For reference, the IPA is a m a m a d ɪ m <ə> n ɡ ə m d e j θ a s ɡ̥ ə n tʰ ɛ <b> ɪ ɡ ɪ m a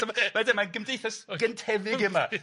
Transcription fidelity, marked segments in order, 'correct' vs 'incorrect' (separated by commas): incorrect, incorrect